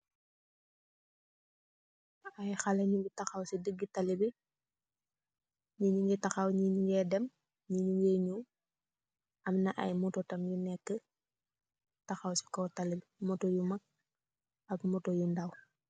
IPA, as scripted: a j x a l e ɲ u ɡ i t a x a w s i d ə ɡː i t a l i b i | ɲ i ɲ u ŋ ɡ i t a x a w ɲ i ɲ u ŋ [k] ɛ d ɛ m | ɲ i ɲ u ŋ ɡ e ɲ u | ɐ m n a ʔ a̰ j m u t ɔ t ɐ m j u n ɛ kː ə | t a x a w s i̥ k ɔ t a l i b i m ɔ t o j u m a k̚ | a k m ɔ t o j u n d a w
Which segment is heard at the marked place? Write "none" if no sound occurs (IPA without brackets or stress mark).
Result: ɡ